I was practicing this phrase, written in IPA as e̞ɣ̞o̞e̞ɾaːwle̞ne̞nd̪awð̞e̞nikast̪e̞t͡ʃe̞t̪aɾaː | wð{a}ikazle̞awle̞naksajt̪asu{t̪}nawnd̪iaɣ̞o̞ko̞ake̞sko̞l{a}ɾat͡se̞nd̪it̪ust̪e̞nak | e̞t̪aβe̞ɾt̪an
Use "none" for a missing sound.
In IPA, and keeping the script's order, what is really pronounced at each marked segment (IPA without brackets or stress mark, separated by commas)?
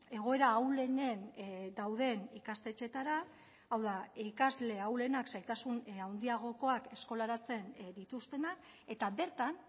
a, none, a